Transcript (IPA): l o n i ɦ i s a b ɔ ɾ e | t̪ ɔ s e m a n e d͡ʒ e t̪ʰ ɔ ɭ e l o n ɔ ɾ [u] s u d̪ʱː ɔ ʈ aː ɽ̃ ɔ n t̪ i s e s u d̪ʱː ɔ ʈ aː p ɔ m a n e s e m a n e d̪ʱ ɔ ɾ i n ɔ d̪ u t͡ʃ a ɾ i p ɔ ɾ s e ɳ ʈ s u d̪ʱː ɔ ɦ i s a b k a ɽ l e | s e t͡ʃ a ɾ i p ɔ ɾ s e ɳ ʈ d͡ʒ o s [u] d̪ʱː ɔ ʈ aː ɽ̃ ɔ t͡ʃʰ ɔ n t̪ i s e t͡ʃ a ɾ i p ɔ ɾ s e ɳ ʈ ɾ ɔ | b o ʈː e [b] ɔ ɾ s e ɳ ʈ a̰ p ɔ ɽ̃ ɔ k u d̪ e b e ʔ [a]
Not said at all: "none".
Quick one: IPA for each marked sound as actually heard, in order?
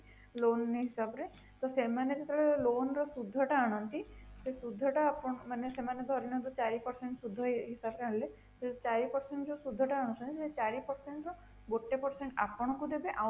ɔ, u, p, a

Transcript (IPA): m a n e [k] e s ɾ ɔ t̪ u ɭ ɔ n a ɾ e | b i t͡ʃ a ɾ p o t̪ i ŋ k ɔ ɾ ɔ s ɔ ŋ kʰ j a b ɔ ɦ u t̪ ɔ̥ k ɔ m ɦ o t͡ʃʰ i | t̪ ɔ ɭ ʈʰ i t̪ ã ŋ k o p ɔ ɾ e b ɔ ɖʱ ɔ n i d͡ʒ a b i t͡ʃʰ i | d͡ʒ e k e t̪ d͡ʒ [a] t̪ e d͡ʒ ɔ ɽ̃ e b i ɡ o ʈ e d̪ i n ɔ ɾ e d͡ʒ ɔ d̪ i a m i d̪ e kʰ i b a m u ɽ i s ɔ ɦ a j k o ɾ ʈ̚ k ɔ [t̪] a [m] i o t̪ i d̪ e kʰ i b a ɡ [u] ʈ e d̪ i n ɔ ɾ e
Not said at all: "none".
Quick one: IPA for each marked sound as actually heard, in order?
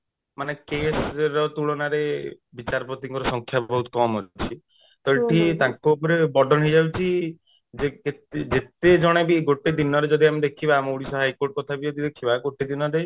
k, e, t̪ʰ, b, o

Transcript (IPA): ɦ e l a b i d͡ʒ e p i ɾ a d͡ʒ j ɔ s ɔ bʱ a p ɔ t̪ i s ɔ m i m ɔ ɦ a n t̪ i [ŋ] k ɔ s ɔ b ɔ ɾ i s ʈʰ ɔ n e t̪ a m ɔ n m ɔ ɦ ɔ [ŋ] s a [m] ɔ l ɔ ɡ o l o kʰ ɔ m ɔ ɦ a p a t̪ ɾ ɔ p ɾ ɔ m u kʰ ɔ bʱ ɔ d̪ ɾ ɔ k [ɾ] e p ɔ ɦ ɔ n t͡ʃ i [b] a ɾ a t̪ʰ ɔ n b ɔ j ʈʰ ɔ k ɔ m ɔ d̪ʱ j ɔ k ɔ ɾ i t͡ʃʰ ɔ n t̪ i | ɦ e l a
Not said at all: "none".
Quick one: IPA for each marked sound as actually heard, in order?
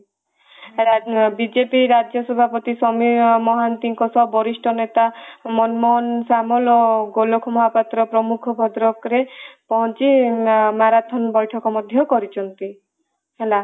ŋ, n, m, ɾ, m

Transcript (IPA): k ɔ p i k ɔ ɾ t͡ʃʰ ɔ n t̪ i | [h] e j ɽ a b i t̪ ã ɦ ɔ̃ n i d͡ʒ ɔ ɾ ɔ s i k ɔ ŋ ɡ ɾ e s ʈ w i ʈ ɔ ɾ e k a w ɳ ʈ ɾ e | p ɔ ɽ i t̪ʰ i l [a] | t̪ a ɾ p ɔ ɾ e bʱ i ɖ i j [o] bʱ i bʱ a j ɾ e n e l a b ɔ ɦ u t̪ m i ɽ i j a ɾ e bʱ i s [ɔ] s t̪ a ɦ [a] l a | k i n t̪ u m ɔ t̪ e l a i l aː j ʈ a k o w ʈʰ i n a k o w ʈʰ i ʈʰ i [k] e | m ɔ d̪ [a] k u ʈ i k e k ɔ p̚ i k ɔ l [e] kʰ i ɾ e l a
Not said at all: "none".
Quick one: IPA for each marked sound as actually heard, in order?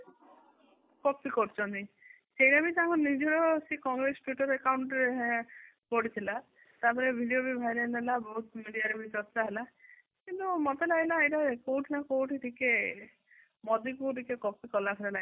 s, a, o, ɔ, e, k, i, a

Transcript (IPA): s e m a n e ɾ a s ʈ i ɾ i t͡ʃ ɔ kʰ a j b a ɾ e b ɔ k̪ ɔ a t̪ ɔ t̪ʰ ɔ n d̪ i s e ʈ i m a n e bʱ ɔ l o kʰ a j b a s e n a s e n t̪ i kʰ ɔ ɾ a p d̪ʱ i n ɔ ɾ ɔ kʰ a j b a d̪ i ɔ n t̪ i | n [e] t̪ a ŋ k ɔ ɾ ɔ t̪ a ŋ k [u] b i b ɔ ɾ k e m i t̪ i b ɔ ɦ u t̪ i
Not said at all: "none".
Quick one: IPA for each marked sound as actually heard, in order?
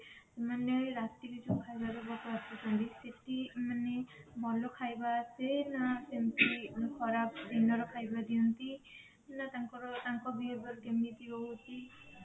a, ɔ

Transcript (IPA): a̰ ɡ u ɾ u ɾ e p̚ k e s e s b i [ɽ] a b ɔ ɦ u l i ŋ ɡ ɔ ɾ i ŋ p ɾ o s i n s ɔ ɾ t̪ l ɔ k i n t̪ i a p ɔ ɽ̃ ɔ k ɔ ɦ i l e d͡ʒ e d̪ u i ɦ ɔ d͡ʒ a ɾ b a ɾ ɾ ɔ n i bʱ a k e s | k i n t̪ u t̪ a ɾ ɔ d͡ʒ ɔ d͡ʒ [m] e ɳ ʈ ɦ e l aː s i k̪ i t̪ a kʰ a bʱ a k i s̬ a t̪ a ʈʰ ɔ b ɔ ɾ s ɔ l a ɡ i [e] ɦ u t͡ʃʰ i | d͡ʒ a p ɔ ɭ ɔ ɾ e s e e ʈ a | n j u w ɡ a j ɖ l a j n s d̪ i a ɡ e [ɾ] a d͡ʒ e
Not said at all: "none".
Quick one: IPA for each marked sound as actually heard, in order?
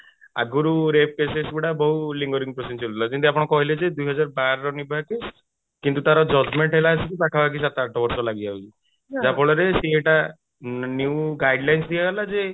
ɽ, m, a, l

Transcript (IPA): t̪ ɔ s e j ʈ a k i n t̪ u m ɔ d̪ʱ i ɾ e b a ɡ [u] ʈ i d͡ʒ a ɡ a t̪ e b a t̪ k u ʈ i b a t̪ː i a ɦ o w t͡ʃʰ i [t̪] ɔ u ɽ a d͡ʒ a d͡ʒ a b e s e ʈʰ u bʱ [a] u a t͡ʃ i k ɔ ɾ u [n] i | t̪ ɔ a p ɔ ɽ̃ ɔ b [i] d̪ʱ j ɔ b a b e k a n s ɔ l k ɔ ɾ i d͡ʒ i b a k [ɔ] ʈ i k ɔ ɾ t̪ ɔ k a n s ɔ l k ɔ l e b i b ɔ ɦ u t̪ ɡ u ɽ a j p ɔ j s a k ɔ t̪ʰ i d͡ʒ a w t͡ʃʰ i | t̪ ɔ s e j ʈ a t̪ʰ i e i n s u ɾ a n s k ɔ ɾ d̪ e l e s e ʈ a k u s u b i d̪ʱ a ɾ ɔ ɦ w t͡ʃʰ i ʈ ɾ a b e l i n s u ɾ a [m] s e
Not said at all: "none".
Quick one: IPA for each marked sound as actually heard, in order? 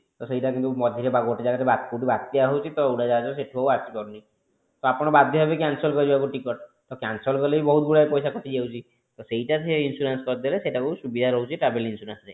o, t̪, a, n, a, u, n

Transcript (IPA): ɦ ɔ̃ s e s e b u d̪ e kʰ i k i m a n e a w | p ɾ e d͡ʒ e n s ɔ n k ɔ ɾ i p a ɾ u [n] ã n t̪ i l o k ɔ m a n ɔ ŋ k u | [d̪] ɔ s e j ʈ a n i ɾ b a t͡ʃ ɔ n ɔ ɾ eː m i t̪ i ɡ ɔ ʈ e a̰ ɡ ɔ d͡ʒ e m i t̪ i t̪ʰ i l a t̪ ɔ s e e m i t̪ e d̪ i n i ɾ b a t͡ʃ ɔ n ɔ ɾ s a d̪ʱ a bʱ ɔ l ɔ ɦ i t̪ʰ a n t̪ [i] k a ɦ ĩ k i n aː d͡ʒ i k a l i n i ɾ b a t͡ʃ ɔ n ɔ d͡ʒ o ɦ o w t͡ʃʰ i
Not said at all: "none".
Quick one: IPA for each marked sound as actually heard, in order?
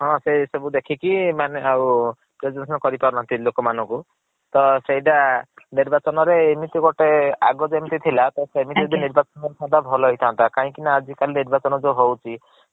n, t̪, a

